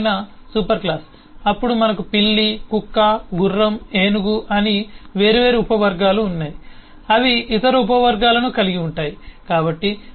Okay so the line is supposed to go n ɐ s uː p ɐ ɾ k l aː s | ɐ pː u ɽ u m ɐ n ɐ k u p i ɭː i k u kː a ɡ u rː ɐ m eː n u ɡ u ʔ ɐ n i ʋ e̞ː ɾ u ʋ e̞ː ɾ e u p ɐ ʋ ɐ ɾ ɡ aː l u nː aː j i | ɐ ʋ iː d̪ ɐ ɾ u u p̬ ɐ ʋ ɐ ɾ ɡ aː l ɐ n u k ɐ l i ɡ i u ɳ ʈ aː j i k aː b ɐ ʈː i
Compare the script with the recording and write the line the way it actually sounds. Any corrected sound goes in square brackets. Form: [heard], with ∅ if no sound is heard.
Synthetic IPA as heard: n ɐ s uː p ɐ ɾ k l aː s | ɐ pː u ɽ u m ɐ n ɐ k u p i ɭː i k u kː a ɡ u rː ɐ m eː n u ɡ u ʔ ɐ n i ʋ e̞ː ɾ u ʋ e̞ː ɾ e u p ɐ ʋ ɐ ɾ ɡ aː l [uː] nː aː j i | ɐ ʋ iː [t̪] ɐ ɾ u u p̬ ɐ ʋ ɐ ɾ ɡ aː l ɐ n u k ɐ l i ɡ i u ɳ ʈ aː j i k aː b ɐ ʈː i